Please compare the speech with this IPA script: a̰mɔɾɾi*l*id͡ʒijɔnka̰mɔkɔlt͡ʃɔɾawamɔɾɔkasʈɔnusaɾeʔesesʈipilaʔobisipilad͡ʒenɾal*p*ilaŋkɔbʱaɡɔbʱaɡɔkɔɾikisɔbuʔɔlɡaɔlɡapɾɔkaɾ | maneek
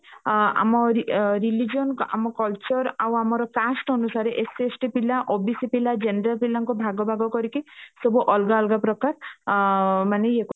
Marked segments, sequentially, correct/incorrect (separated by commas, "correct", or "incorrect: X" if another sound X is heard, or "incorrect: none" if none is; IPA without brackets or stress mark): correct, correct